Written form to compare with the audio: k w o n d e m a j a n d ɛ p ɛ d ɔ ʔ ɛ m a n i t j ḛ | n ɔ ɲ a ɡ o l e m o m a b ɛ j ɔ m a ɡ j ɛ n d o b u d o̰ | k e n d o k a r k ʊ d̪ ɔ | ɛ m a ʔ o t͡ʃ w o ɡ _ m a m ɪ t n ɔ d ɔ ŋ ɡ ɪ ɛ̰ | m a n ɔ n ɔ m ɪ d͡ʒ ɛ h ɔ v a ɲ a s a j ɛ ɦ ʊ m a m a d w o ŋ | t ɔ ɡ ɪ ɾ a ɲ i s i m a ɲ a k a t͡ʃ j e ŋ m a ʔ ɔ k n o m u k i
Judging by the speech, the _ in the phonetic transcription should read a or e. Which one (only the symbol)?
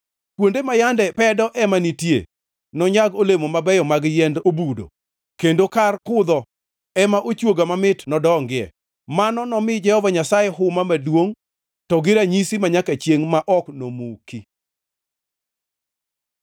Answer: a